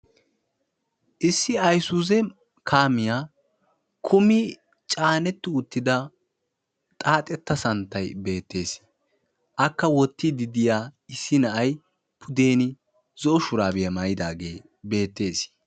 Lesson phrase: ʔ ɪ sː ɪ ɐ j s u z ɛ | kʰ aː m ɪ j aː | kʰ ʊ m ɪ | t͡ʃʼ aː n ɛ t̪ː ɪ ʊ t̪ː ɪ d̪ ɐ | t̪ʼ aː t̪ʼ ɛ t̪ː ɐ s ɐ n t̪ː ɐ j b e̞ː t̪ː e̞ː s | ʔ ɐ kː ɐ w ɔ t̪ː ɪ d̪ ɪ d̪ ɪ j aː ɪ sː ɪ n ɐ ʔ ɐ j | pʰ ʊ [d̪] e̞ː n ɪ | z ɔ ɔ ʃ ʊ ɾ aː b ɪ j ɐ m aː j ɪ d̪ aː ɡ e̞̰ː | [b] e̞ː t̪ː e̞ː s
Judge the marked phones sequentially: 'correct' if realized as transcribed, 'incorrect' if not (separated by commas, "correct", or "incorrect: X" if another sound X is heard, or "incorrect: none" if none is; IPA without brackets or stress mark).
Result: correct, correct